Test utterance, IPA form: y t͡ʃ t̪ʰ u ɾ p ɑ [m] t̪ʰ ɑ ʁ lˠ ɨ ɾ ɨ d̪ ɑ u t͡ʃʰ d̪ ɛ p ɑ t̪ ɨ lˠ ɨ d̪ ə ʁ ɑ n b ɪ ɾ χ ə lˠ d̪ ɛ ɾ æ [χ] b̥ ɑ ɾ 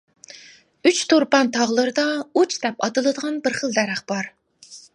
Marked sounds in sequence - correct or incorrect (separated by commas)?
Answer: incorrect, correct